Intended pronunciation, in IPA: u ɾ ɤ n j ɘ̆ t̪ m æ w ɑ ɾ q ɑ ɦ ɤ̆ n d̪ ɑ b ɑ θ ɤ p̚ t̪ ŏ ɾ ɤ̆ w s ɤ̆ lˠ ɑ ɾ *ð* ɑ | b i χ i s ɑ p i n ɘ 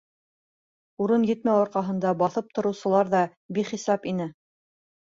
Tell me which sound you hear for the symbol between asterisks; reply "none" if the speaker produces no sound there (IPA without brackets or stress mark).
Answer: ð